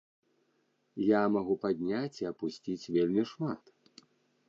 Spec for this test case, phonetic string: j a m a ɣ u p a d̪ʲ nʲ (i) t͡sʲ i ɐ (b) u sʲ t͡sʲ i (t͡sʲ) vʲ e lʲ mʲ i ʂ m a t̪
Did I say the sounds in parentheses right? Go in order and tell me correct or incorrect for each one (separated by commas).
incorrect, incorrect, correct